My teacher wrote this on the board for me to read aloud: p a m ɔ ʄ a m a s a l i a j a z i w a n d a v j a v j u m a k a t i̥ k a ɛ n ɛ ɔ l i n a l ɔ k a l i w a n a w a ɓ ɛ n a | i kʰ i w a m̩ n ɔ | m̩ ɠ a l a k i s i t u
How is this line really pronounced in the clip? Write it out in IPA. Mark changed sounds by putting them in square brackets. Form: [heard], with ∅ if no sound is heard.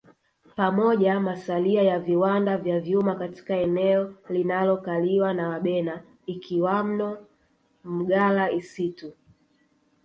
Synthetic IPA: p a m ɔ ʄ a m a s a l i a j a [v] i w a n d a v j a v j u m a k a t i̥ k a ɛ n ɛ ɔ l i n a l ɔ k a l i w a n a w a ɓ ɛ n a | i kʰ i w a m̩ n ɔ | m̩ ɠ a l a [∅] i s i t u